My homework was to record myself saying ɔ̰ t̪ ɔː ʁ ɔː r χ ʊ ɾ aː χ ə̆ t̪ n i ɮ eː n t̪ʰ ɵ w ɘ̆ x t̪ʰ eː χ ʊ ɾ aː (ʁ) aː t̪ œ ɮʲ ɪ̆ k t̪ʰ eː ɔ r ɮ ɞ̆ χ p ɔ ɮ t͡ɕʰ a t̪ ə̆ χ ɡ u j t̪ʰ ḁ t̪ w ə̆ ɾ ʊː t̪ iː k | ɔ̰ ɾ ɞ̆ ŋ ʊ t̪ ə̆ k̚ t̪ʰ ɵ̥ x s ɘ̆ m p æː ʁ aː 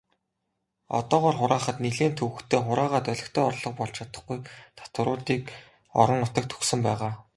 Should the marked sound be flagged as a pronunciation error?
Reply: no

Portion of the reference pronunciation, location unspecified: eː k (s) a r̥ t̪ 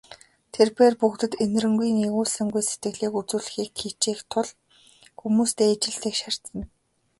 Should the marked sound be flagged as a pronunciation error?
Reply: yes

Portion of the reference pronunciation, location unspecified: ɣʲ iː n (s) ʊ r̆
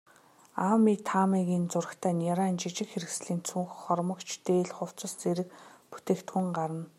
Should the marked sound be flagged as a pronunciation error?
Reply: yes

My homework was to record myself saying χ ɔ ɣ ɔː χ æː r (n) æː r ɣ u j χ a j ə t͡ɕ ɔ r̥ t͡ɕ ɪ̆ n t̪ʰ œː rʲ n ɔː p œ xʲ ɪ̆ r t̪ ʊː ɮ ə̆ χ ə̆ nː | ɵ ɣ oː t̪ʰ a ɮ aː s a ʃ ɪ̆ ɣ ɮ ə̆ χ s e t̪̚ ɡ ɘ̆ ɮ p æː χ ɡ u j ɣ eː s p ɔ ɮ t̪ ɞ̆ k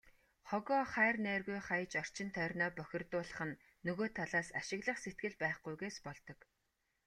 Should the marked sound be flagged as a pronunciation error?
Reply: no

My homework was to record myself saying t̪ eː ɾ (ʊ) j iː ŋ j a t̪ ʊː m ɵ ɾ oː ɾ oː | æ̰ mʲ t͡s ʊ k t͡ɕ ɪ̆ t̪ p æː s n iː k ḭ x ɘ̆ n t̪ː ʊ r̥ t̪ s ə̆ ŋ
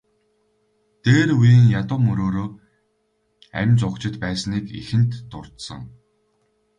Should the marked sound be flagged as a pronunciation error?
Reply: yes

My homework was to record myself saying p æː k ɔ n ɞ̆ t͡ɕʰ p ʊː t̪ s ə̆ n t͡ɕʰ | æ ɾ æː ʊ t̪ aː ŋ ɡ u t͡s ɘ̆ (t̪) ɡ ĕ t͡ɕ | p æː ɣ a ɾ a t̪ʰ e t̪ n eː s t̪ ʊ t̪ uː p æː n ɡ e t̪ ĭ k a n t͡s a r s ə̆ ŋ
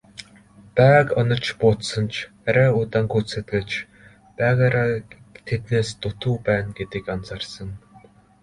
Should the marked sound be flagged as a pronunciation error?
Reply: no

